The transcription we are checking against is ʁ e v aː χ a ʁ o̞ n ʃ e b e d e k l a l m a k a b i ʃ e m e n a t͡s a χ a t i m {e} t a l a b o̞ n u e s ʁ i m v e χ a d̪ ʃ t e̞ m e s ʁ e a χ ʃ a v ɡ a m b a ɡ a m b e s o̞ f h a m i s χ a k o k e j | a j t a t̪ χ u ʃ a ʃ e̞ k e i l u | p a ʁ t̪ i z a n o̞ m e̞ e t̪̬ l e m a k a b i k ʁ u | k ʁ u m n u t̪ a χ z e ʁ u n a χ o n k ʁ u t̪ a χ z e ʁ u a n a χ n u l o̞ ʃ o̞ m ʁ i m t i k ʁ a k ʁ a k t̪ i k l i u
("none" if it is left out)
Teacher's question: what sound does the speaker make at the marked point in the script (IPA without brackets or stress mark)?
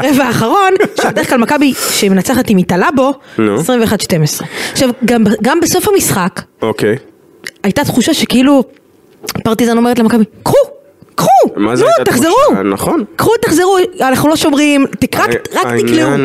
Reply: i